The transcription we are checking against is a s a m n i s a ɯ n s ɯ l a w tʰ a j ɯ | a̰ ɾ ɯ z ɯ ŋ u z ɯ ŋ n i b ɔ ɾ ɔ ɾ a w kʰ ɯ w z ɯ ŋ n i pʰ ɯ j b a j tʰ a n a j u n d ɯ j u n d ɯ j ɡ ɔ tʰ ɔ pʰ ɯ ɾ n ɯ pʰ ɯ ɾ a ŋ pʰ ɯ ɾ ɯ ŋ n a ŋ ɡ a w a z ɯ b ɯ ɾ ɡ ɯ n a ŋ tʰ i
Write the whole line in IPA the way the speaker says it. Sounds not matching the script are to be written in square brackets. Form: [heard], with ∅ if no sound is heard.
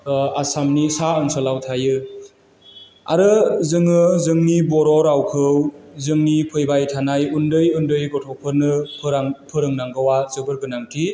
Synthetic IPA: a s a m n i s a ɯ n s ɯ l a w tʰ a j ɯ | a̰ ɾ ɯ z ɯ ŋ [ɯ] z ɯ ŋ n i b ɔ ɾ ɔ ɾ a w kʰ ɯ w z ɯ ŋ n i pʰ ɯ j b a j tʰ a n a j u n d ɯ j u n d ɯ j ɡ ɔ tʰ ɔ pʰ ɯ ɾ n ɯ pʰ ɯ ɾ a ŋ pʰ ɯ ɾ ɯ ŋ n a ŋ ɡ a w a z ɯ b ɯ ɾ ɡ ɯ n a ŋ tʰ i